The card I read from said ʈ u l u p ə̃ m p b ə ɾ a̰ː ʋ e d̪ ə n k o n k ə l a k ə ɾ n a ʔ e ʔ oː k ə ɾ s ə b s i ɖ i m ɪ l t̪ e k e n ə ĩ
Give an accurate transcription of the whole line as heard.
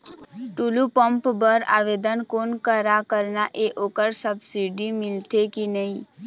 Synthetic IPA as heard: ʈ u l u p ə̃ m p b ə ɾ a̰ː ʋ e d̪ ə n k o n k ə ɾ a k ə ɾ n a ʔ e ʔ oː k ə ɾ s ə b s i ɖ i m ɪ l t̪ e k i n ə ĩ